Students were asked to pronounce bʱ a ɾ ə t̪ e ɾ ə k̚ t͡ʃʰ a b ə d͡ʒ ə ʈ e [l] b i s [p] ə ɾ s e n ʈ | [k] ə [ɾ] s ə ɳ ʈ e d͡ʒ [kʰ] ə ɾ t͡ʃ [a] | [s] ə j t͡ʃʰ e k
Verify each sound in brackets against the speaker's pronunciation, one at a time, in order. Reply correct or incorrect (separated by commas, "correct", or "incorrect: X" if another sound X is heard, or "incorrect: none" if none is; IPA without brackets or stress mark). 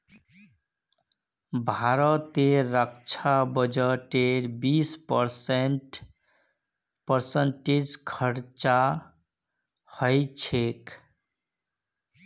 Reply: incorrect: ɾ, correct, incorrect: p, correct, correct, correct, incorrect: h